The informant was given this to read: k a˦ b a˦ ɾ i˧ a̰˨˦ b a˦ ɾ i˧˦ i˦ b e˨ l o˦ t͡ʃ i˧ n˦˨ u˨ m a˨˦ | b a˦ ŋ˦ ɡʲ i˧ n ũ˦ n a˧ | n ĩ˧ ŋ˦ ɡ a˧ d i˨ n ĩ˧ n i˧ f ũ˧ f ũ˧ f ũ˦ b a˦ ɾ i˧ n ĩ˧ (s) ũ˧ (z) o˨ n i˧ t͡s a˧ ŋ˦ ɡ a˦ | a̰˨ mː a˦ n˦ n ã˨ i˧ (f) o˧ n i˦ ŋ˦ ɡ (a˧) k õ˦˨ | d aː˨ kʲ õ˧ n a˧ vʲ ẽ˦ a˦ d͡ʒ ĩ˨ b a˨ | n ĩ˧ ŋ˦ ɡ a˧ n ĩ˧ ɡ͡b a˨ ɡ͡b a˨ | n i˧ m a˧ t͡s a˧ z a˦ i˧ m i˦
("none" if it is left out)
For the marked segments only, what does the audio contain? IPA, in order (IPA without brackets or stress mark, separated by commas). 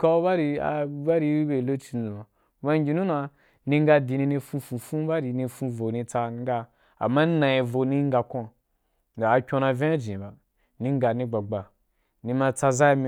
f, v, v, a˧